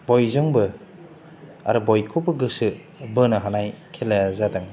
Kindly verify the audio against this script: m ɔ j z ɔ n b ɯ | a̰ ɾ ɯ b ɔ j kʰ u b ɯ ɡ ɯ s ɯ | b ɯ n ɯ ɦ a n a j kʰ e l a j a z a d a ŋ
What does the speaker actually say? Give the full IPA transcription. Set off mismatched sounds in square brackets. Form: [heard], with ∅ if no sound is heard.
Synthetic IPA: [b] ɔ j z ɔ [ŋ] b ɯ | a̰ ɾ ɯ b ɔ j kʰ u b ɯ ɡ ɯ s ɯ | b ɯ n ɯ ɦ a n a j kʰ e l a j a z a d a ŋ